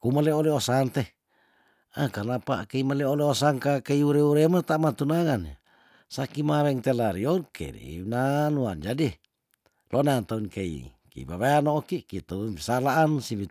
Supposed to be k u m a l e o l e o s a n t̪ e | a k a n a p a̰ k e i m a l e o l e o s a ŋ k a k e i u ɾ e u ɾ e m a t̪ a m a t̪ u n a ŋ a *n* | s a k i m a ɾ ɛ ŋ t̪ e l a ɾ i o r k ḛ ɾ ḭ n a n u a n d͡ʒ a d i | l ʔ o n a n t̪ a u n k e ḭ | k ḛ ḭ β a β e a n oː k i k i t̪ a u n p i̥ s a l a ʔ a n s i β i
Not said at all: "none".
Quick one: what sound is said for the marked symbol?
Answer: n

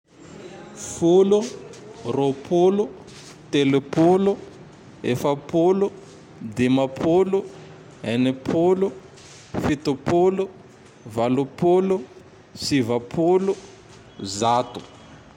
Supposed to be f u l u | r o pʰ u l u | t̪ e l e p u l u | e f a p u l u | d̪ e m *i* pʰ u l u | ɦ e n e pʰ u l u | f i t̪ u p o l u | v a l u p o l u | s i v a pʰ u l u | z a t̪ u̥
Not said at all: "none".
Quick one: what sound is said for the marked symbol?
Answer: a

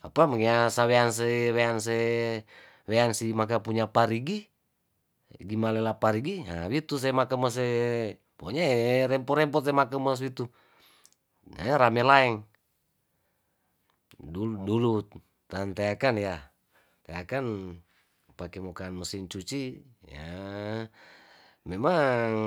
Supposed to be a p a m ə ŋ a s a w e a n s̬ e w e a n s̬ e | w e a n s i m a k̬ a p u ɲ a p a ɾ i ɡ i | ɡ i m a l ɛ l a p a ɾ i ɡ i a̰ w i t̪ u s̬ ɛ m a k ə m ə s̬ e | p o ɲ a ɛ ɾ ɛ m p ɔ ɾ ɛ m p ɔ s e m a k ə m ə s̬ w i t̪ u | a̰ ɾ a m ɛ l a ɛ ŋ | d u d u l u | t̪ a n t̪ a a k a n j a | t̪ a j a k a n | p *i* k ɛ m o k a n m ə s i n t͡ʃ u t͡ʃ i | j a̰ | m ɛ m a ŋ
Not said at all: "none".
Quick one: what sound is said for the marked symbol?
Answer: a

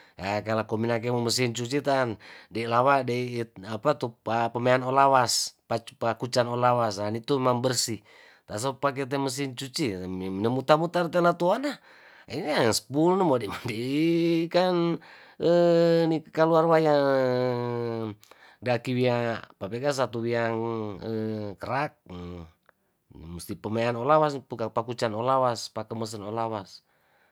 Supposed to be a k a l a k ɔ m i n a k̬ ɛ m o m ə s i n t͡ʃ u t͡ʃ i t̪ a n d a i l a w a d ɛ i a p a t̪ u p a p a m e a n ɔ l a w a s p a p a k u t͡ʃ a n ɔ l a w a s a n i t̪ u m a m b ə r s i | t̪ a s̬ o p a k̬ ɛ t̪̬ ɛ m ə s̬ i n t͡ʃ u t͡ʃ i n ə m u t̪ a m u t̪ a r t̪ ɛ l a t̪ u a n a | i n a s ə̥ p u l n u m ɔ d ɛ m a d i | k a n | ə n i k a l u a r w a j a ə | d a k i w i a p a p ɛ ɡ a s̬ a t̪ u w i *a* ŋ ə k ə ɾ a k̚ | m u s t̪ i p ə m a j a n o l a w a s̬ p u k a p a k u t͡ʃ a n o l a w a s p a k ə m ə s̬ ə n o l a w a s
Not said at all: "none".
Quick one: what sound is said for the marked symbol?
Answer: a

